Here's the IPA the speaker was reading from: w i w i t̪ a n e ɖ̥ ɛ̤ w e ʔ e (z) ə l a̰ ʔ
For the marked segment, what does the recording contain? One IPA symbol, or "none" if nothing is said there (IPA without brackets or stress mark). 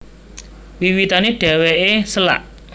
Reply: s